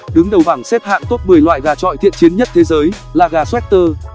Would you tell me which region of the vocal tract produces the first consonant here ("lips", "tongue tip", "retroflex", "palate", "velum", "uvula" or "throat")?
tongue tip